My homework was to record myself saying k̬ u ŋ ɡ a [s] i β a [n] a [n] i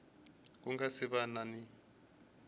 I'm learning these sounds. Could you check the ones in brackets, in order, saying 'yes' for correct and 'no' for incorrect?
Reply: yes, yes, yes

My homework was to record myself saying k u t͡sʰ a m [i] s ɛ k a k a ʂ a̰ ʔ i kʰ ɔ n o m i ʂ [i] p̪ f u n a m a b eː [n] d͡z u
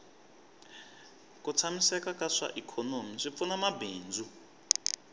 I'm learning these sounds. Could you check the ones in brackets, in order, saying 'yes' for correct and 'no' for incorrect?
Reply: yes, yes, yes

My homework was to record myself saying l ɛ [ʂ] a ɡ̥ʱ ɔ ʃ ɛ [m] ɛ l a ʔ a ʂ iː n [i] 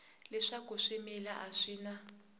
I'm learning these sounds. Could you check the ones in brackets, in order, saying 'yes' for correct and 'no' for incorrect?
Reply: yes, yes, no

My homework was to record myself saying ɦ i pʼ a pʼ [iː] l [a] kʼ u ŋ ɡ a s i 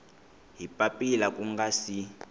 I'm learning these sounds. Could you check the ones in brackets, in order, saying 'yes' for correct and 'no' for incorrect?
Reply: no, yes

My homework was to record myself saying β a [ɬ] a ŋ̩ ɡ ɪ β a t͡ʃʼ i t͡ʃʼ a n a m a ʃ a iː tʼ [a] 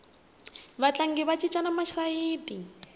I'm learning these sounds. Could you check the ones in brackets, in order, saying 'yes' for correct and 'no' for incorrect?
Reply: no, no

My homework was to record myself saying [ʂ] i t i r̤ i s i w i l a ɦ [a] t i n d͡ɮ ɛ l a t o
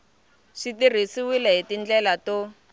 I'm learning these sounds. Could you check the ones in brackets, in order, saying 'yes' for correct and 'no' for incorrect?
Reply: yes, no

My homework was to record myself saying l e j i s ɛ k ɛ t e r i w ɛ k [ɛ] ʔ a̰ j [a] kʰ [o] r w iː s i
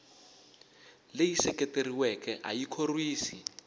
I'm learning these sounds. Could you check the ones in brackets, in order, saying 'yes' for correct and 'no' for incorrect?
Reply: yes, no, yes

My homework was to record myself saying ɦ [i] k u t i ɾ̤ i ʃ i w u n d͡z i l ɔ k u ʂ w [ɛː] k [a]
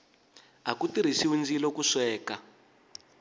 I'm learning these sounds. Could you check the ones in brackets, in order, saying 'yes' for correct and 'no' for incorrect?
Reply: no, yes, yes

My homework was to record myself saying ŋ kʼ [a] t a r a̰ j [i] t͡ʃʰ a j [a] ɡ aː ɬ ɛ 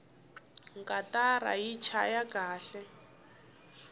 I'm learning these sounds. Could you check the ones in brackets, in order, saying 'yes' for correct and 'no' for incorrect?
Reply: yes, yes, yes

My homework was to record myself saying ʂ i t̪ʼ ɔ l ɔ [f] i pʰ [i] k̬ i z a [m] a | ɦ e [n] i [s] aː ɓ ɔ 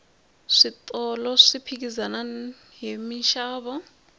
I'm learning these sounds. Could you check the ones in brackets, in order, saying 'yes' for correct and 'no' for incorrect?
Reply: no, yes, no, no, no

